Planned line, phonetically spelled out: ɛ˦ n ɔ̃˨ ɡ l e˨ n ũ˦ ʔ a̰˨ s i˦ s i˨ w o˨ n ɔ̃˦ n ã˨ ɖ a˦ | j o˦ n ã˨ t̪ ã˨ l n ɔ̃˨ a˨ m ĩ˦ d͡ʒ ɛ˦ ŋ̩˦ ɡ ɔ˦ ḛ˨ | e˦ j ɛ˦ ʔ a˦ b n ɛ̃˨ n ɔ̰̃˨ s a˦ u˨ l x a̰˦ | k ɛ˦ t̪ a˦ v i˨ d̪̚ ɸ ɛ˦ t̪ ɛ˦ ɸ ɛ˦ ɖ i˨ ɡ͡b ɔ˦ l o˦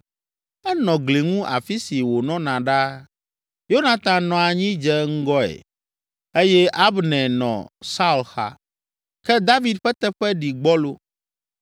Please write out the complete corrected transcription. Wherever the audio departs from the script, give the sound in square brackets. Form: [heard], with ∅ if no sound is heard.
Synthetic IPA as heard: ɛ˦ n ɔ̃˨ ɡ l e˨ [ŋ] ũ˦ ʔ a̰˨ [f] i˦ s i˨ w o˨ n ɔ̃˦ n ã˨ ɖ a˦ | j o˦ n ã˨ t̪ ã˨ [∅] n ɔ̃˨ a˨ [ɲ] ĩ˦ d͡ʒ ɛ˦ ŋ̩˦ ɡ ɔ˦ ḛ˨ | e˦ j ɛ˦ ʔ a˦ b n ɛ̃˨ n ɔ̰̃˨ s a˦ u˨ l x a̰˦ | k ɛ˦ [d̪] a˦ v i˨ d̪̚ ɸ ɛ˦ t̪ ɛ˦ ɸ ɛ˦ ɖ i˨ ɡ͡b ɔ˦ l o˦

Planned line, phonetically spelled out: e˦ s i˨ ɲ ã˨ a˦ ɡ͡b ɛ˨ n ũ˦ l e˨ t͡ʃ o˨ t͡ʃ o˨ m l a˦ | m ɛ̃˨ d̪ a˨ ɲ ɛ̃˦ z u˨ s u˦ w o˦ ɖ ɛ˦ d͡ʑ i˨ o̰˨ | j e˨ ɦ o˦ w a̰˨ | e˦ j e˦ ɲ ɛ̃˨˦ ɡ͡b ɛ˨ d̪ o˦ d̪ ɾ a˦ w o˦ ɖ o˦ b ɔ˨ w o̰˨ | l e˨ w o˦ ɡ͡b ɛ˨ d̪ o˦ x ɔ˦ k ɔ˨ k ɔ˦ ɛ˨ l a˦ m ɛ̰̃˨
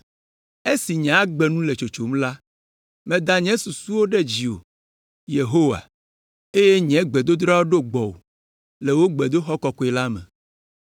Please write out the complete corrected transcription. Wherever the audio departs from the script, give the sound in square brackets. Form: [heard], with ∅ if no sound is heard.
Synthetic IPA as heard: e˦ s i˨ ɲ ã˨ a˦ ɡ͡b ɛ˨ n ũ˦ l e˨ t͡ʃ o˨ t͡ʃ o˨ m l a˦ | m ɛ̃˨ d̪ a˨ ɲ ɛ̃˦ [s] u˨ s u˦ w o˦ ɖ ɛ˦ d͡ʑ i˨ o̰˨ | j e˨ ɦ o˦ w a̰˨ | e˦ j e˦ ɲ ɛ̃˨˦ ɡ͡b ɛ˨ d̪ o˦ d̪ ɾ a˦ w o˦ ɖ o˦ [ɡ͡b] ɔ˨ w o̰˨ | l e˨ w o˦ ɡ͡b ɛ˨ d̪ o˦ x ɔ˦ k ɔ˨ k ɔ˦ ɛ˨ l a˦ m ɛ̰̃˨

